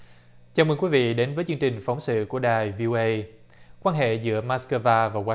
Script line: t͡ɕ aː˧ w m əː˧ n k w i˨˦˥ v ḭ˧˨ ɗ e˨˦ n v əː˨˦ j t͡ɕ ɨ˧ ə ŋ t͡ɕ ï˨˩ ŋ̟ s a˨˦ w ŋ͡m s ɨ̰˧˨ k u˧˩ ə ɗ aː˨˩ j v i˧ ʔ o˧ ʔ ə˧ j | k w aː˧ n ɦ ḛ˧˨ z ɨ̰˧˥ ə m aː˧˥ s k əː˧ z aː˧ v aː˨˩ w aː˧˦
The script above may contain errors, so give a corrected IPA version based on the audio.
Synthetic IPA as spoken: t͡ɕ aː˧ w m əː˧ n k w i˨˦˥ v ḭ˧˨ ɗ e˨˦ n v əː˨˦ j t͡ɕ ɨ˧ ə ŋ t͡ɕ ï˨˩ ŋ̟ f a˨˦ w ŋ͡m s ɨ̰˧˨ k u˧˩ ə ɗ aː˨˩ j v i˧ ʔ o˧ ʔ ə˧ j | k w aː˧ n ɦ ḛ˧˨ z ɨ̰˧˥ ə m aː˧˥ s k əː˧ v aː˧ v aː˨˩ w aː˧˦